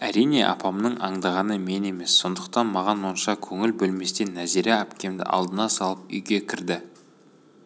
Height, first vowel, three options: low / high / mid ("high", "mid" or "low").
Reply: low